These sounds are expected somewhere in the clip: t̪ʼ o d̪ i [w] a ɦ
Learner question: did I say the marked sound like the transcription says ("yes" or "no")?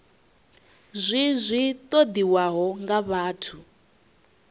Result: yes